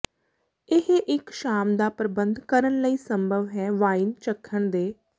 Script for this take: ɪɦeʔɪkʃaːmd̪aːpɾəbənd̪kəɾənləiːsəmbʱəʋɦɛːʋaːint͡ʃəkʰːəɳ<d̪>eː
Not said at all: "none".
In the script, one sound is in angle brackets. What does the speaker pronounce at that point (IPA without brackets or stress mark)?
d̪